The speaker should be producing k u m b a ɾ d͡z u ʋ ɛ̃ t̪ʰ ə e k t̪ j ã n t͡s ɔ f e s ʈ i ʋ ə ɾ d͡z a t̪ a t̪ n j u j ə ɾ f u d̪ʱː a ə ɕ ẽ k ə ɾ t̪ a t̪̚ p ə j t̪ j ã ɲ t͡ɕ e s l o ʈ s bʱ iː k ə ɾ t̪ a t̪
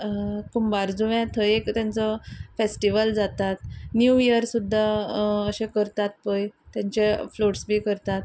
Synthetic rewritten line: k u m b a ɾ d͡z u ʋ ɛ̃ t̪ʰ ə e k t̪ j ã n t͡s ɔ f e s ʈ i ʋ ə l d͡z a t̪ a t̪ n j u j ə ɾ s u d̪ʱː a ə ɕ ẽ k ə ɾ t̪ a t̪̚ p ə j t̪ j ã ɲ t͡ɕ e f l o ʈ s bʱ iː k ə ɾ t̪ a t̪